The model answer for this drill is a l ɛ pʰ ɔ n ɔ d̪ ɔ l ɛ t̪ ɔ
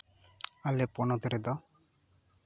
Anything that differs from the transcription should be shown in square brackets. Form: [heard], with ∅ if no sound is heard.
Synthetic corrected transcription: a l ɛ [p] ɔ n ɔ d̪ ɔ [ɾ] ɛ [d̪] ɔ

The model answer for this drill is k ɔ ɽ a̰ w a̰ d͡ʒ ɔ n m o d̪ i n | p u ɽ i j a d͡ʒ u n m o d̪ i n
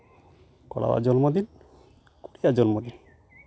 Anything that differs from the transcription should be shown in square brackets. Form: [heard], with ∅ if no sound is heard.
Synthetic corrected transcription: k ɔ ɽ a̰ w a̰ d͡ʒ ɔ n m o d̪ i n | [k] u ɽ i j a d͡ʒ [ɔ] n m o d̪ i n

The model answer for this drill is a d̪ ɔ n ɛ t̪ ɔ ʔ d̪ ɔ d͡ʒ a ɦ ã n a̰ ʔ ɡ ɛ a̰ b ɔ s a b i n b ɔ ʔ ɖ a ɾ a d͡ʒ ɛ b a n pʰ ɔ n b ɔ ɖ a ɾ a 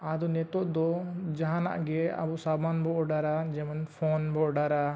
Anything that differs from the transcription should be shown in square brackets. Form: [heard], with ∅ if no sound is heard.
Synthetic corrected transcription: a d̪ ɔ n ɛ t̪ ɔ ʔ d̪ ɔ d͡ʒ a ɦ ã n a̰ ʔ ɡ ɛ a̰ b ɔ s a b [a] n b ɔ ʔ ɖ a ɾ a d͡ʒ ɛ [m] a n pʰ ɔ n b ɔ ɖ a ɾ a

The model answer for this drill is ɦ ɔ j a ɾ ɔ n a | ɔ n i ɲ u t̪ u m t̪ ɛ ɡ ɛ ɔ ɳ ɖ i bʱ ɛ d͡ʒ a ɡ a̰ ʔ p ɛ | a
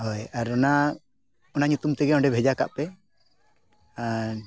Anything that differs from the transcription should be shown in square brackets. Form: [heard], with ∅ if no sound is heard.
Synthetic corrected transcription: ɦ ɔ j a ɾ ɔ n a | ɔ n [a] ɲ u t̪ u m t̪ ɛ ɡ ɛ ɔ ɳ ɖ [ɛ] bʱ ɛ d͡ʒ a [k] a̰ ʔ p ɛ | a

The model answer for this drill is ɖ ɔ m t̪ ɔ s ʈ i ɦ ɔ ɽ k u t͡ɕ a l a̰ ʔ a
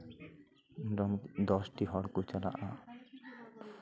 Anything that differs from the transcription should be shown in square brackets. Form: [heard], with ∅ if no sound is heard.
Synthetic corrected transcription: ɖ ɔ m [d̪] ɔ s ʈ i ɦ ɔ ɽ k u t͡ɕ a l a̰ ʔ a

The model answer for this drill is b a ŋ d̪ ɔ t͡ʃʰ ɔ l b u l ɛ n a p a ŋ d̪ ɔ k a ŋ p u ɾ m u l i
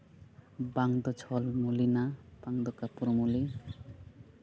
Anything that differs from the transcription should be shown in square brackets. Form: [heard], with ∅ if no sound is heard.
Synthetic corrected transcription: b a ŋ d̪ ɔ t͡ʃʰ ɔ l [m] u l [i] n a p a ŋ d̪ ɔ k a [∅] p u ɾ m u l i

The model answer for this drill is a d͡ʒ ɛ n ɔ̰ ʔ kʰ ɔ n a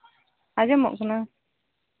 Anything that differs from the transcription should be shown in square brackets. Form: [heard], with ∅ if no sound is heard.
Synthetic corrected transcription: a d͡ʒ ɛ [m] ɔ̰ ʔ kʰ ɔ n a

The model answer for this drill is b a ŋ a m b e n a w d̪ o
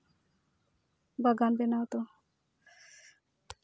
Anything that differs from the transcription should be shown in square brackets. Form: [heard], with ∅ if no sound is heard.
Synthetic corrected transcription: b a [ɡ] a [n] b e n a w [t̪] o

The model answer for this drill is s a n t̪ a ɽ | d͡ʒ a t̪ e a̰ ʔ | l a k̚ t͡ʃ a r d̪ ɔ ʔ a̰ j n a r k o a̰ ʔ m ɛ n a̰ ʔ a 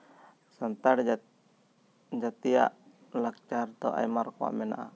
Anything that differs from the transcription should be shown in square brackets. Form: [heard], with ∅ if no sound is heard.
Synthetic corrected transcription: s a n t̪ a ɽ | d͡ʒ a t̪ [i] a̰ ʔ | l a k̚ t͡ʃ a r [t̪] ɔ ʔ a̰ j [m] a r k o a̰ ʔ m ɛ n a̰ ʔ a

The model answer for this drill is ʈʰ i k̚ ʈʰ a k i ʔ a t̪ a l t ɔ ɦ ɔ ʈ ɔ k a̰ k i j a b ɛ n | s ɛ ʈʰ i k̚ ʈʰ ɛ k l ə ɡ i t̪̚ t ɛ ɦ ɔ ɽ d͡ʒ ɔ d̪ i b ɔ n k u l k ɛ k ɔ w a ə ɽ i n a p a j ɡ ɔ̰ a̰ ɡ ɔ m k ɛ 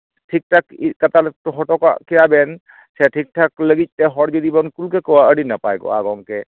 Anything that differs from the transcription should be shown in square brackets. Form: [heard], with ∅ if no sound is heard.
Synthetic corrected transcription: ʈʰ i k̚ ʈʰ a k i [k] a t̪ a l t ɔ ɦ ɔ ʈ ɔ k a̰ k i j a b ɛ n | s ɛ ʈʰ i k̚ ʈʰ [a] k l ə ɡ i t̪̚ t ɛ ɦ ɔ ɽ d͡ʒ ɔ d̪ i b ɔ n k u l k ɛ k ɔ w a ə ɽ i n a p a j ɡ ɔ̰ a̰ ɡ ɔ [ŋ] k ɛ

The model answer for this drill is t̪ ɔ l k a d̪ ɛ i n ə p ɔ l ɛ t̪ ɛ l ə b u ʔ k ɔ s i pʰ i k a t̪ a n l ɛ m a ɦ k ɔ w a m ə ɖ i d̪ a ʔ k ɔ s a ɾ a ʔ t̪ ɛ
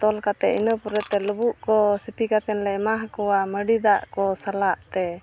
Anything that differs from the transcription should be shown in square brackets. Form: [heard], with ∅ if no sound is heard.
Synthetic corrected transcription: t̪ ɔ l k a [t̪] ɛ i n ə p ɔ [ɾ] ɛ t̪ ɛ l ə b u ʔ k ɔ s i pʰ i k a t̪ [ɛ] n l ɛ m a ɦ k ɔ w a m ə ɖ i d̪ a ʔ k ɔ s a [l] a ʔ t̪ ɛ

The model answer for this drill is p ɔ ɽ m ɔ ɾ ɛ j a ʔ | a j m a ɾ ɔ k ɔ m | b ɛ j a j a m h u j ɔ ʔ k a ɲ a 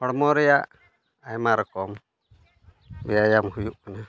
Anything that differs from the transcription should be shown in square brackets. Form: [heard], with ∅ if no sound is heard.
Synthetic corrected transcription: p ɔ ɽ m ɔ ɾ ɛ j a ʔ | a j m a ɾ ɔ k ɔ m | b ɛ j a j a m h u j [u] ʔ k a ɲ a

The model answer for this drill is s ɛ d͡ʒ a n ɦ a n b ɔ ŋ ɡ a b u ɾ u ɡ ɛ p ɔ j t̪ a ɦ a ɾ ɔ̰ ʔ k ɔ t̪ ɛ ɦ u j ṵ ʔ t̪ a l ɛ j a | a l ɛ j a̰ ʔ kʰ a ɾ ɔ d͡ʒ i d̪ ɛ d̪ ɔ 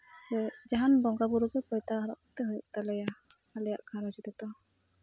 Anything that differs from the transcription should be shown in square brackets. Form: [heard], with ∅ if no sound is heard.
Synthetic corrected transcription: s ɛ d͡ʒ a [∅] ɦ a n b ɔ ŋ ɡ a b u ɾ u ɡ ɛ p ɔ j t̪ a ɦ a ɾ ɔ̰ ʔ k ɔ t̪ ɛ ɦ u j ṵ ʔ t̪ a l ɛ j a | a l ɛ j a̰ ʔ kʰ a ɾ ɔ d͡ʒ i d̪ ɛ [t̪] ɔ

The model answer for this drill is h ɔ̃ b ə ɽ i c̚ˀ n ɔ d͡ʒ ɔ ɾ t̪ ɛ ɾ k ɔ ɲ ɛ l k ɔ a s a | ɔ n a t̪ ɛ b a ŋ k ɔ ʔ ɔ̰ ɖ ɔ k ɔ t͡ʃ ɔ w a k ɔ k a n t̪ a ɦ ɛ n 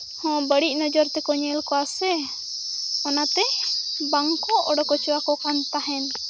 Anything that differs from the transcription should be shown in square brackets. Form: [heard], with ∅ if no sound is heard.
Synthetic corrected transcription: h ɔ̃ b ə ɽ i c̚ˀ n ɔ d͡ʒ ɔ ɾ t̪ ɛ [∅] k ɔ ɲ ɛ l k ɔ a s [ɛ] | ɔ n a t̪ ɛ b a ŋ k ɔ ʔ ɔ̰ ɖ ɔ k ɔ t͡ʃ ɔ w a k ɔ k a n t̪ a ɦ ɛ n

